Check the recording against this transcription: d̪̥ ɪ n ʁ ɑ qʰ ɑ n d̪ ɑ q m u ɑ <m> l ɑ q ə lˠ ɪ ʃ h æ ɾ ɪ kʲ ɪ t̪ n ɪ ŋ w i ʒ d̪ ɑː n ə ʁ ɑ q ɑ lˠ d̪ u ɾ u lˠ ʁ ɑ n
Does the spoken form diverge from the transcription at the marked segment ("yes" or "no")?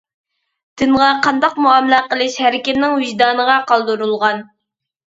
no